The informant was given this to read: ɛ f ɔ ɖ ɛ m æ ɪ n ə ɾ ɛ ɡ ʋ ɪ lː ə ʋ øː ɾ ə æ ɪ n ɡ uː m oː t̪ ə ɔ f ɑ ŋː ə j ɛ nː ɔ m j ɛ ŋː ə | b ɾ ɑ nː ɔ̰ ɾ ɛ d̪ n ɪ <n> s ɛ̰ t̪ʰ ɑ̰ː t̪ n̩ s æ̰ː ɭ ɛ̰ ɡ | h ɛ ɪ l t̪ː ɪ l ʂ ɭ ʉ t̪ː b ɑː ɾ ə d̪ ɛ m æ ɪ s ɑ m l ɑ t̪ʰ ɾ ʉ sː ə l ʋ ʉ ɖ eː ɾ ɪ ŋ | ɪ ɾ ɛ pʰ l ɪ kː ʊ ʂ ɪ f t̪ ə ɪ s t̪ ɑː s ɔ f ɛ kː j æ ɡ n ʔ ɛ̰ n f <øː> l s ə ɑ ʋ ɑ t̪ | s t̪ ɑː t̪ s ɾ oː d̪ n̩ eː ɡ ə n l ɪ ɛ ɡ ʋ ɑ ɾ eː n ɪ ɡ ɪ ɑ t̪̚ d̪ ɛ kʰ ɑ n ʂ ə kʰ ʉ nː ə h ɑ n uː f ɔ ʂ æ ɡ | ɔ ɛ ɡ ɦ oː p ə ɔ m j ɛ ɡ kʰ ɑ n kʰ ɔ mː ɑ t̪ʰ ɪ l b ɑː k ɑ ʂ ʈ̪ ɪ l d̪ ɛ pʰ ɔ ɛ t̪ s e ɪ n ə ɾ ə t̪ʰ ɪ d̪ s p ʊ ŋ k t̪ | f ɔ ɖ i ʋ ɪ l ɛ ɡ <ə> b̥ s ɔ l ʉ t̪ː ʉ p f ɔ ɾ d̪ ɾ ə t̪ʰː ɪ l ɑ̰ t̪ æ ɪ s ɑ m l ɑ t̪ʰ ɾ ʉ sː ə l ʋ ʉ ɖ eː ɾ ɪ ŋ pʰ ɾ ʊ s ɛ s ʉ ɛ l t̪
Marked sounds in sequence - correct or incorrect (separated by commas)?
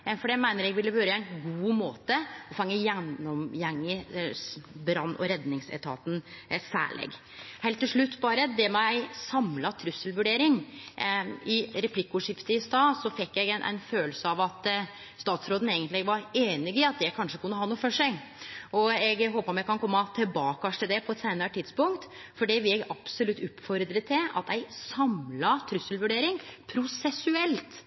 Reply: incorrect, correct, incorrect